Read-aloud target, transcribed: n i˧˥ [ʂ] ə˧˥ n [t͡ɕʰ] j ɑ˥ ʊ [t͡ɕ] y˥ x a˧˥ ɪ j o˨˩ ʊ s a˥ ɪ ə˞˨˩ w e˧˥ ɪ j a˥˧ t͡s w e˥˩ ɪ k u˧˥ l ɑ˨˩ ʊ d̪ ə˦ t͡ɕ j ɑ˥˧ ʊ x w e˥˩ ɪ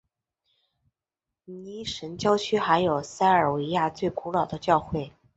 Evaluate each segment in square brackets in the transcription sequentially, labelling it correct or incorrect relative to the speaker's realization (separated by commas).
correct, incorrect, incorrect